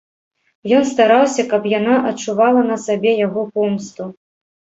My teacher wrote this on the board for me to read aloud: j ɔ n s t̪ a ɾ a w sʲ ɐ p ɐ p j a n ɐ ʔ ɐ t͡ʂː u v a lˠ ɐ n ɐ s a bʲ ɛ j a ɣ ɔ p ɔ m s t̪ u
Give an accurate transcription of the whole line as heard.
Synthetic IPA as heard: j ɔ n s t̪ a ɾ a w sʲ ɐ k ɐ p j a n a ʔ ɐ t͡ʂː u v a lˠ ɐ n ɐ s a bʲ ɛ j a ɣ ɔ p ɔ m s t̪ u

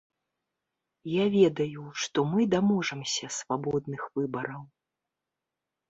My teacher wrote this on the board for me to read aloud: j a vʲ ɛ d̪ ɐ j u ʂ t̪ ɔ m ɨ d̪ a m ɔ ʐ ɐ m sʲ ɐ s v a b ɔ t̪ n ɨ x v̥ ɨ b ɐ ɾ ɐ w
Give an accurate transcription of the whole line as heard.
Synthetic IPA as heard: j a vʲ ɛ d̪ ɐ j u ʂ t̪ ɔ m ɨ d̪ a m ɔ ʐ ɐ m sʲ ɐ s v a b ɔ d̪ n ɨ x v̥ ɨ b ɐ ɾ ɐ w

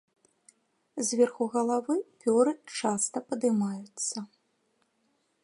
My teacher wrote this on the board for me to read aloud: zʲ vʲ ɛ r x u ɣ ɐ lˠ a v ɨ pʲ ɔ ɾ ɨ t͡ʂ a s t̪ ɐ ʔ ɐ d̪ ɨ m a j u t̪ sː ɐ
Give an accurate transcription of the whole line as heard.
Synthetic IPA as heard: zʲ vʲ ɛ r x u ɣ ɐ lˠ a v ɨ pʲ ɔ ɾ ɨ t͡ʂ a s t̪ ɐ p ɐ d̪ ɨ m a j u t̪ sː ɐ

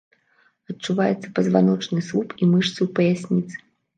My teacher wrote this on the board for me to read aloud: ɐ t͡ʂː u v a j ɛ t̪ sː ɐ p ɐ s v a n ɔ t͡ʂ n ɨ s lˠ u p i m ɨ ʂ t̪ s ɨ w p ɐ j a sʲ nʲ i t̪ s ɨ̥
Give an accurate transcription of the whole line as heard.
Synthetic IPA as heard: ɐ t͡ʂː u v a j ɛ t̪ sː ɐ p ɐ z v a n ɔ t͡ʂ n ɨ s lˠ u p i m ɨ ʂ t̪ s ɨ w p ɐ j a sʲ nʲ i t̪ s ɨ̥

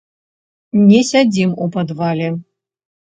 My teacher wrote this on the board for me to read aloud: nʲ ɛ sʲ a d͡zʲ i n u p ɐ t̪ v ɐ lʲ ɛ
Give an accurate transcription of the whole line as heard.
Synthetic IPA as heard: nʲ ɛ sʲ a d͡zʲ i m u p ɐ d̪ v a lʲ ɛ

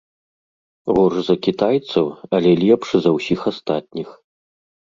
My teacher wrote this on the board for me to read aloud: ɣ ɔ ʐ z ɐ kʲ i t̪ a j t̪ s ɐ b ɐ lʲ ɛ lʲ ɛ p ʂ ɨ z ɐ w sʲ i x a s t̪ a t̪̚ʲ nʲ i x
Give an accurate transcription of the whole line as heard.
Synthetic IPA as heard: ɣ ɔ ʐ z ɐ kʲ i t̪ a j t̪ s ɐ w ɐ lʲ ɛ lʲ ɛ p ʂ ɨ z ɐ w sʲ i x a s t̪ a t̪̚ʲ nʲ i x

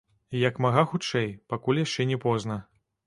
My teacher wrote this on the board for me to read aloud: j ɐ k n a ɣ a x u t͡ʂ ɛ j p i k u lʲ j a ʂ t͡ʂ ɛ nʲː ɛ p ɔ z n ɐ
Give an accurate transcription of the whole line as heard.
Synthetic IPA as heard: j ɐ k m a ɣ a x u t͡ʂ ɛ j p a k u lʲ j a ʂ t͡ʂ ɛ nʲ ɛ p ɔ z n ɐ

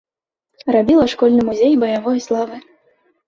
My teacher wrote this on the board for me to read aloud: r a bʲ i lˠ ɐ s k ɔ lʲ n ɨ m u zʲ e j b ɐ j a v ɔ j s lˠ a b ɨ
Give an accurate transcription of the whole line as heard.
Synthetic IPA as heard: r a bʲ i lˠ ɐ ʂ k ɔ lʲ n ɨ m u zʲ e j b ɐ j a v ɔ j s lˠ a v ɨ

